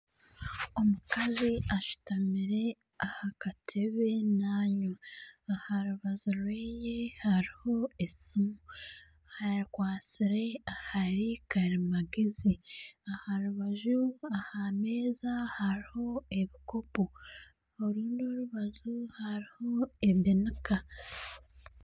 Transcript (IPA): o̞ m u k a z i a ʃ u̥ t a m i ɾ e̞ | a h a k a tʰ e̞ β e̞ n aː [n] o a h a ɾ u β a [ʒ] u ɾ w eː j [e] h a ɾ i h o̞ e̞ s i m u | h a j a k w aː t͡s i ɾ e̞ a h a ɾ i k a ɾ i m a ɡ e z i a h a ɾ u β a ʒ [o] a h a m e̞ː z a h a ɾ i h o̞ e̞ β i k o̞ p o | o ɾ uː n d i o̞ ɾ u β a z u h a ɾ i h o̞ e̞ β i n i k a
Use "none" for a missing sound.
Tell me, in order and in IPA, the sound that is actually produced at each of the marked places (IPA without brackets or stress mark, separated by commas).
ɲ, z, e, u